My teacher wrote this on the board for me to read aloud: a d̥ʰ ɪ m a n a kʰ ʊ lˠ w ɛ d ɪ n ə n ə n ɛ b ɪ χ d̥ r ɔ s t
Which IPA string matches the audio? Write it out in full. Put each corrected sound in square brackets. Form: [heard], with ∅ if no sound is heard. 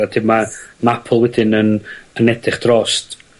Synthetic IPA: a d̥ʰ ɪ m a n a [pʰ] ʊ lˠ w ɛ d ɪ n ə n ə n ɛ [d] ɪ χ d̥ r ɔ s t